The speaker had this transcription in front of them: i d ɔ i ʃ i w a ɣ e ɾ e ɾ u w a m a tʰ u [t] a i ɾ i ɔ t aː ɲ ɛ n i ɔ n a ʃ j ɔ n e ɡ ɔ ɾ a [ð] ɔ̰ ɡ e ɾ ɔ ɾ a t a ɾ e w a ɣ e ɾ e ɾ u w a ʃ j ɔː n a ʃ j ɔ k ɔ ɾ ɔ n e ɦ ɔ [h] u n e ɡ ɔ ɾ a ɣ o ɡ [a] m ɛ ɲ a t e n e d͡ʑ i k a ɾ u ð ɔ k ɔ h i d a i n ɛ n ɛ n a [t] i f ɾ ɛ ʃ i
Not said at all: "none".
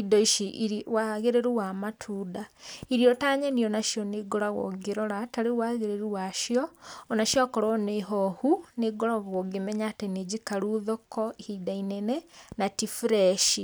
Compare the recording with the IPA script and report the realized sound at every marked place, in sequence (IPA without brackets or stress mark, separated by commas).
d, ɣ, h, e, t